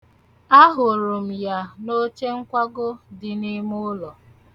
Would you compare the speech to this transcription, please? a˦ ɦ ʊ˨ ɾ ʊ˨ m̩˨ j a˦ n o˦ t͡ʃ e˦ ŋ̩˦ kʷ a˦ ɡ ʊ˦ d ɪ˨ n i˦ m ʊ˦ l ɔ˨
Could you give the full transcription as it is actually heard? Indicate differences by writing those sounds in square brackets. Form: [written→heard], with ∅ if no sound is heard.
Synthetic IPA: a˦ ɦ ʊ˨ ɾ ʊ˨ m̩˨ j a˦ n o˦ t͡ʃ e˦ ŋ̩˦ kʷ a˦ ɡ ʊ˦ d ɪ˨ n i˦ m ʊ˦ l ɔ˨